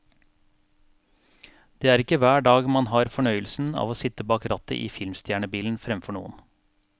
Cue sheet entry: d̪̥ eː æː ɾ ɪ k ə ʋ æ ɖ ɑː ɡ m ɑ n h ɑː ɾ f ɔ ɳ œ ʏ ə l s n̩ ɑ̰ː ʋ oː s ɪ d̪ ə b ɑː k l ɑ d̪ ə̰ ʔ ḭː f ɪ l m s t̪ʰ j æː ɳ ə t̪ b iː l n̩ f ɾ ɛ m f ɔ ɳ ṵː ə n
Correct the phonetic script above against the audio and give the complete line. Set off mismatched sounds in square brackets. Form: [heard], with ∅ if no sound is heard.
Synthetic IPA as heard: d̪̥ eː æː ɾ ɪ k ə ʋ [æː] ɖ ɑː ɡ m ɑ n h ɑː ɾ f ɔ ɳ œ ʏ ə l s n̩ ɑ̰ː ʋ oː s ɪ [t̪] ə b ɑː k [ɾ] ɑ [t̪] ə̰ ʔ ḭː f ɪ l m s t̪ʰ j æː ɳ ə [∅] b iː l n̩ f ɾ ɛ m f ɔ ɳ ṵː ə n